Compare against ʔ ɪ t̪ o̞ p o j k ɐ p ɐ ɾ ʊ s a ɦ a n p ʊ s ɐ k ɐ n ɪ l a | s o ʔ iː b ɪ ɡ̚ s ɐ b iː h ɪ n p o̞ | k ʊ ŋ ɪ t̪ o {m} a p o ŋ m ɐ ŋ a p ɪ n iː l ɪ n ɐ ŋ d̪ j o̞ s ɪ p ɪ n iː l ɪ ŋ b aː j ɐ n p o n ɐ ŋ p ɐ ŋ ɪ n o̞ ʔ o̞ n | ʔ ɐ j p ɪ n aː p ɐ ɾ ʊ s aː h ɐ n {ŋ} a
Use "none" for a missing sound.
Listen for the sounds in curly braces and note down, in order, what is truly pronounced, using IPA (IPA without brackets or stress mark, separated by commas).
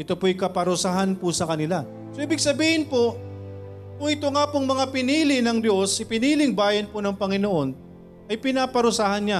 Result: ŋ, ɲ